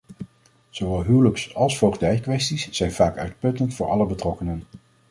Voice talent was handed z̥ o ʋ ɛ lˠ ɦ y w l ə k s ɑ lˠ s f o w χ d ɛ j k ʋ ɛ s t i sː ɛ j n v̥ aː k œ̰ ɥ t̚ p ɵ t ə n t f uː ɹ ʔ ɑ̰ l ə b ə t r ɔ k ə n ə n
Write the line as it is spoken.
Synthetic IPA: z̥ o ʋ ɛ lˠ ɦ y w l ə k s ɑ lˠ s f o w χ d ɛ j k ʋ ɛ s t i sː ɛ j n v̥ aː k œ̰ ɥ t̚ p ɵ t ə n t f ʊː ɹ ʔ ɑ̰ l ə b ə t r ɔ k ə n ə n